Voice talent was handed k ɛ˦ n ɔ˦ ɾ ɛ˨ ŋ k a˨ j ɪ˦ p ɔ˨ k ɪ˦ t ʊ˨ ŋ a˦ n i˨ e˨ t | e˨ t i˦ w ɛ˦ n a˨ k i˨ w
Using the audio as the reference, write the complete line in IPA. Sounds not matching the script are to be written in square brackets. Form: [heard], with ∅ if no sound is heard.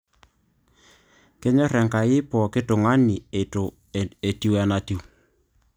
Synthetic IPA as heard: k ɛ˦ [ɲ] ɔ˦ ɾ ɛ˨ ŋ k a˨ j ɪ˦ p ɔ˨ k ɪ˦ t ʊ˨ ŋ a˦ n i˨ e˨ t | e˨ t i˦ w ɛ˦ n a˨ [t] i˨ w